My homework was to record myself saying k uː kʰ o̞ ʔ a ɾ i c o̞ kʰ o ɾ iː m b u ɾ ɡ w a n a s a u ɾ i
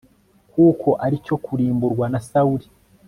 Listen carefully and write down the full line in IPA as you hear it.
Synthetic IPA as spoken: k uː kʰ o̞ ʔ a ɾ i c o̞ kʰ u ɾ iː m b u ɾ ɡ w a n a s a u ɾ i